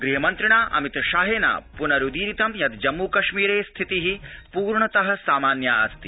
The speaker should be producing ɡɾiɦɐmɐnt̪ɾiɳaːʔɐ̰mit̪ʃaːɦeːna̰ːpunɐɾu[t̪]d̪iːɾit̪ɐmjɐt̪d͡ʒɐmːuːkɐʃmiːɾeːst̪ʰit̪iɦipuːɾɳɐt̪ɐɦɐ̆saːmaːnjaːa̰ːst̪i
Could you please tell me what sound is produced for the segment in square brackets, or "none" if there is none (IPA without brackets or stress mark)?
none